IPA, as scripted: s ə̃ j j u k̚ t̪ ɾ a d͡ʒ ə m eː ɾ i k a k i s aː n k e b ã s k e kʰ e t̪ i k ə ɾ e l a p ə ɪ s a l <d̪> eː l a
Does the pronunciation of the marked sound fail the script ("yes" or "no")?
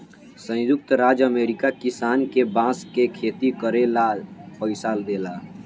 no